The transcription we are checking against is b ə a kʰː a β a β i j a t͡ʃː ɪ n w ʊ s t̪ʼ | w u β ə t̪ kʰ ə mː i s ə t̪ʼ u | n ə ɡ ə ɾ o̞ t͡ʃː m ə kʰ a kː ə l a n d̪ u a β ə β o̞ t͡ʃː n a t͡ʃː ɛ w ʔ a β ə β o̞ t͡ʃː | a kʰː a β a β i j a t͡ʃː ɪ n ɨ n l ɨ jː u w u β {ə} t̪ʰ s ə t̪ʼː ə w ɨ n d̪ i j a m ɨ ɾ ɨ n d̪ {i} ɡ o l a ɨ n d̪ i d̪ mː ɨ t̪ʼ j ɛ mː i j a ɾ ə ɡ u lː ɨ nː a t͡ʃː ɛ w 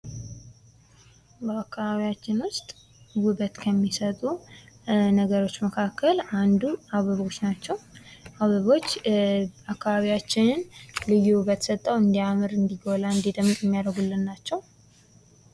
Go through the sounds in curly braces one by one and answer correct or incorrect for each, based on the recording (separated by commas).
correct, correct